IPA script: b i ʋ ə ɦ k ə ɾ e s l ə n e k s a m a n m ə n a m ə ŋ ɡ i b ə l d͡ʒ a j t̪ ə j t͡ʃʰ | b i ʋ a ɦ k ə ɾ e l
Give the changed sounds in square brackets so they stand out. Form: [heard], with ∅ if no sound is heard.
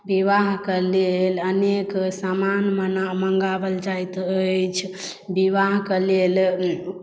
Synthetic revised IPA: b i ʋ [a] ɦ k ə [l] e [∅] l ə n e k s a m a n m ə n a m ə ŋ ɡ [a] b ə l d͡ʒ a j t̪ ə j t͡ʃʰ | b i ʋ a ɦ k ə [l] e l